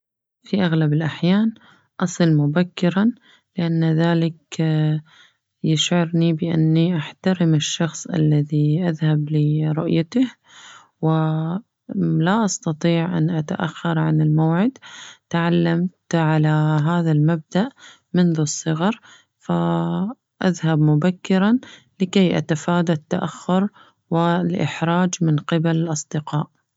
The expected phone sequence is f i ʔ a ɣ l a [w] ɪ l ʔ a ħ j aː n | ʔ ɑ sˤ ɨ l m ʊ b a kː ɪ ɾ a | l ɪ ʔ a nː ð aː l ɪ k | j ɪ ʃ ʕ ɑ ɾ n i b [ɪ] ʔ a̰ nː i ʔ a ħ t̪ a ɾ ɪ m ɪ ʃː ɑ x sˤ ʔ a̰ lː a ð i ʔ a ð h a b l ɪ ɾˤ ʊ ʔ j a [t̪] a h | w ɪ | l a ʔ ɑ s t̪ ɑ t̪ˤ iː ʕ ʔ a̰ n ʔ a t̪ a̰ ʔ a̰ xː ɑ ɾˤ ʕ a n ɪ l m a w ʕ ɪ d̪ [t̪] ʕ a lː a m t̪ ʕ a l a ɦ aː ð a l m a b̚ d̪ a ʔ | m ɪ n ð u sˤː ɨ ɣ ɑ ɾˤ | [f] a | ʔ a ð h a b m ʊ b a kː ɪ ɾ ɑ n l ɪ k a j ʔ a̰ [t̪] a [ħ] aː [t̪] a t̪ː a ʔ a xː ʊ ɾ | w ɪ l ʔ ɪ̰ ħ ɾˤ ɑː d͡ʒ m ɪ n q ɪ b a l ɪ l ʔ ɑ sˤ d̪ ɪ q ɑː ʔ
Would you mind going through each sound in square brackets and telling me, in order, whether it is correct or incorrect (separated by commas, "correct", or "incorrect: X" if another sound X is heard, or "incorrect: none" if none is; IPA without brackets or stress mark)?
incorrect: b, correct, correct, correct, correct, correct, incorrect: f, incorrect: d̪